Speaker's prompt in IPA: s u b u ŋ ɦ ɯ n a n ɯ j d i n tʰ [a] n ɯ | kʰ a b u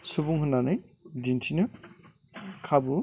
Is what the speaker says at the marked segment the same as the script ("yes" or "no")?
no